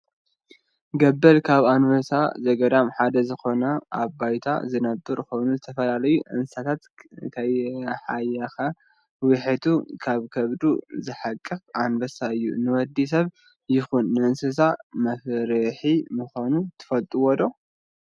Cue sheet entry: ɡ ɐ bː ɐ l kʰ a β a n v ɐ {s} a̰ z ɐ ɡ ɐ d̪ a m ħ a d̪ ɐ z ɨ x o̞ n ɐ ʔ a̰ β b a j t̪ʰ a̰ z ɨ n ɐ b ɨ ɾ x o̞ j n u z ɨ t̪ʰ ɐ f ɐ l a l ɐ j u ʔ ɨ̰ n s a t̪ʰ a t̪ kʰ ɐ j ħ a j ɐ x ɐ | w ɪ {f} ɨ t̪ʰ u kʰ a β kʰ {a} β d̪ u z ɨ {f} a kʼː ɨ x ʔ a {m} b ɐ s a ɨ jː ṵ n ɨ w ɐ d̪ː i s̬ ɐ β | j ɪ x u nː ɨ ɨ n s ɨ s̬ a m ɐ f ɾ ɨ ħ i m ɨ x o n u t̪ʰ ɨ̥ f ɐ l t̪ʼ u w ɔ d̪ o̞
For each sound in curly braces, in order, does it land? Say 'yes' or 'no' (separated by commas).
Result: yes, no, no, no, no